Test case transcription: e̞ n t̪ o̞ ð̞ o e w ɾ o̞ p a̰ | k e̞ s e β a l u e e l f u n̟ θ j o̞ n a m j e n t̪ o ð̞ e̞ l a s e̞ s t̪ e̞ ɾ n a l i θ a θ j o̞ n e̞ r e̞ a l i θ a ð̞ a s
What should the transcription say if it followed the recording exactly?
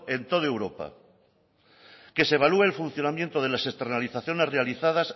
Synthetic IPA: e̞ n t̪ o̞ ð̞ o e w ɾ o̞ p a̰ | k e̞ s e β a l u e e l f u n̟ θ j o̞ n a m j e n t̪ o ð̞ e̞ l a s e̞ s t̪ e̞ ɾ n a l i θ a θ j o̞ n e̞ r e̞ a l i θ a ð̞ a s